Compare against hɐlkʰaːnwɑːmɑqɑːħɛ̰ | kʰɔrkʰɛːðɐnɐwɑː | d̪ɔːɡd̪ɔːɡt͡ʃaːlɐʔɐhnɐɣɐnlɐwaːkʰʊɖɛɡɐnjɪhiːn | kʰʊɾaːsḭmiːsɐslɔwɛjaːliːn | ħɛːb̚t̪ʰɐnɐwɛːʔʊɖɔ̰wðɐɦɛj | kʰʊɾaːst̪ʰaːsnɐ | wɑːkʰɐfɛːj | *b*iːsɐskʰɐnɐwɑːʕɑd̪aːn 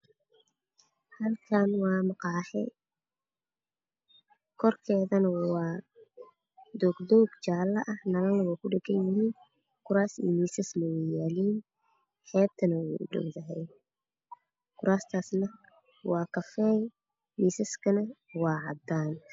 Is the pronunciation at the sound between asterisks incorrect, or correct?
incorrect